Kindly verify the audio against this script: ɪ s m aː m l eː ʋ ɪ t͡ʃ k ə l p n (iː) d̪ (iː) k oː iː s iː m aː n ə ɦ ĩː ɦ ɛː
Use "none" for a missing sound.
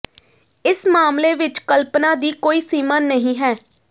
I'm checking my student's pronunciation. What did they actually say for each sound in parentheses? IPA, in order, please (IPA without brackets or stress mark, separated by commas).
aː, iː